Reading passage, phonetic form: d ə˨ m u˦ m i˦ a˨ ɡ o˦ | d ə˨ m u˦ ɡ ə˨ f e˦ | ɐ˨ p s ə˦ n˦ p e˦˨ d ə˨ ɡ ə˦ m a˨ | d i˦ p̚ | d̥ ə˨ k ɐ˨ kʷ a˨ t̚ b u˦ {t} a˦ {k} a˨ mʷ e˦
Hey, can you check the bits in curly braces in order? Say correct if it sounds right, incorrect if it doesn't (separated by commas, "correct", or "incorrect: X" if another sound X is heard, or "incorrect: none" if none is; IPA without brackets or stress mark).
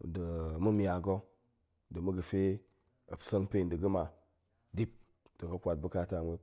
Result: incorrect: k, incorrect: t